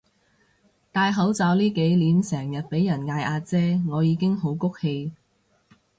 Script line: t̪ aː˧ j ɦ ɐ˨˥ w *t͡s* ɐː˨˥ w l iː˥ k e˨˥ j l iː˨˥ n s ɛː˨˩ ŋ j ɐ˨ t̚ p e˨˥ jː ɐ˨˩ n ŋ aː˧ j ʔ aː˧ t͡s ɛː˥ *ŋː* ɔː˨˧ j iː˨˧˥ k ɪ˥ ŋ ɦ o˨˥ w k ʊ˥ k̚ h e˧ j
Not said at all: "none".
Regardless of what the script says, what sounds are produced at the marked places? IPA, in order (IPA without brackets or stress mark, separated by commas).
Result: t͡s, ŋ